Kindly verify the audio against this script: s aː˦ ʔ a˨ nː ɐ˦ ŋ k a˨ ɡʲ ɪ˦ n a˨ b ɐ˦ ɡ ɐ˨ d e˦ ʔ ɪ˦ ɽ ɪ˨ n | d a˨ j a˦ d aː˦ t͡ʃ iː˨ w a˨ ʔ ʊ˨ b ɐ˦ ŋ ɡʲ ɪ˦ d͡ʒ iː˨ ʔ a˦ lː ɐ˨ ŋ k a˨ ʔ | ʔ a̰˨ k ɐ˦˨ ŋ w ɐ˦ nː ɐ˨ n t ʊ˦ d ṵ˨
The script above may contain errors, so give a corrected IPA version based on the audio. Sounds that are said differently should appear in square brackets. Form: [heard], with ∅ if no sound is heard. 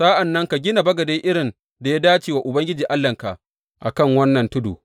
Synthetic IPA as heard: s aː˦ ʔ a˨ nː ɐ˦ ŋ k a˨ ɡʲ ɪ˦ n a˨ b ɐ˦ ɡ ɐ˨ d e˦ ʔ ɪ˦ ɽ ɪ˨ n | d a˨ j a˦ d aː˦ t͡ʃ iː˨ w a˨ ʔ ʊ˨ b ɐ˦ ŋ ɡʲ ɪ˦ d͡ʒ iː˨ ʔ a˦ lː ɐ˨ ŋ k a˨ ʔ | ʔ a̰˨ k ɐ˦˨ ŋ w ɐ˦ nː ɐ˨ n t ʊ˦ d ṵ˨